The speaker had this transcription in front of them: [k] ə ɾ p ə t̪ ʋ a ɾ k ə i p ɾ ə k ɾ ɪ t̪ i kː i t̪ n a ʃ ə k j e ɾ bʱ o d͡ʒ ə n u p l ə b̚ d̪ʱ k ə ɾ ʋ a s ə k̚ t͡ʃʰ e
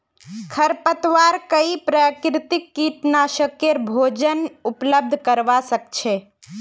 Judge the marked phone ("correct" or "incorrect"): incorrect